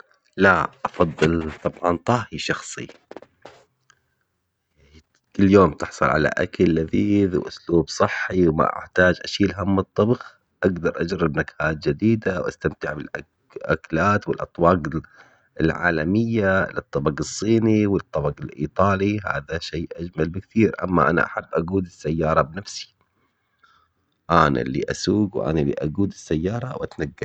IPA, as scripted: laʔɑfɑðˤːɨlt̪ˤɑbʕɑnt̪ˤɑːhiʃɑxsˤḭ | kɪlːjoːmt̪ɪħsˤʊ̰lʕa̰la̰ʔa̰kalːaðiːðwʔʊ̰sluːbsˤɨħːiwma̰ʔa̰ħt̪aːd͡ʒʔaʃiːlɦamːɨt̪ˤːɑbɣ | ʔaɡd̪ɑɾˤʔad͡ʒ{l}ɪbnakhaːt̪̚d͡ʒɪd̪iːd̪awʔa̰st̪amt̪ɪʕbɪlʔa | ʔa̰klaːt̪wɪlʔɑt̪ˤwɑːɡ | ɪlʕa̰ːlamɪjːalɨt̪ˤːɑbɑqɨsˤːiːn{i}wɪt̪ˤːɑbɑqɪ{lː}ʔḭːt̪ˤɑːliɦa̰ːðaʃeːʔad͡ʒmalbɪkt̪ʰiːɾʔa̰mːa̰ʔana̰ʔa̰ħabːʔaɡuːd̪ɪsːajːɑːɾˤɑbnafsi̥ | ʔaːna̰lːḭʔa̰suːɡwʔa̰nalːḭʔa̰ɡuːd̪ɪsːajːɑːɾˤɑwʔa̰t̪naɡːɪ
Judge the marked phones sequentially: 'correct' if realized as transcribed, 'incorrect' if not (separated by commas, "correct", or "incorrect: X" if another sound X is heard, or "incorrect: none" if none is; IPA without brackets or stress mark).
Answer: incorrect: ɾ, correct, incorrect: l